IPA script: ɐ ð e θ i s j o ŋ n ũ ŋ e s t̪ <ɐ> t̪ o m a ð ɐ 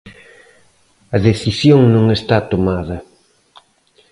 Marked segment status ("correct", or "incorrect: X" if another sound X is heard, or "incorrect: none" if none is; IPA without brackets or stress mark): incorrect: a